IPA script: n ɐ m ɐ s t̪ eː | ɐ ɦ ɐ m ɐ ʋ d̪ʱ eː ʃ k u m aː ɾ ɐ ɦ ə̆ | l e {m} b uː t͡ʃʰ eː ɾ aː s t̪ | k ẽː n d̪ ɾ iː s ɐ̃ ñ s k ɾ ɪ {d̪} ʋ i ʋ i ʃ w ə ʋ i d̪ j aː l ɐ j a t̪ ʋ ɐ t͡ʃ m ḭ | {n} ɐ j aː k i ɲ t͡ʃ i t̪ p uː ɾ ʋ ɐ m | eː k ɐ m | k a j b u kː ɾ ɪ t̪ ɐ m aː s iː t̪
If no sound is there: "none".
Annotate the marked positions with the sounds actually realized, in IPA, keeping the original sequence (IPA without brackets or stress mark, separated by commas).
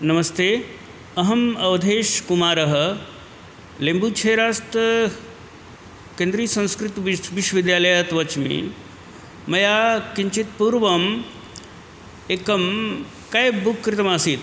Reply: m, t̪, m